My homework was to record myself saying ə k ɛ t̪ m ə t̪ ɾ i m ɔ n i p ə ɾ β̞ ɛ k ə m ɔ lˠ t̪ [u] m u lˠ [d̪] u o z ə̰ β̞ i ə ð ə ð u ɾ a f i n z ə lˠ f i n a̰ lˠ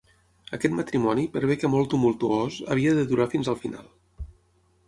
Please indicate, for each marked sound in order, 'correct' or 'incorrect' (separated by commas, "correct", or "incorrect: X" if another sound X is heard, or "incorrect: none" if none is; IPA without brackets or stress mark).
correct, incorrect: t̪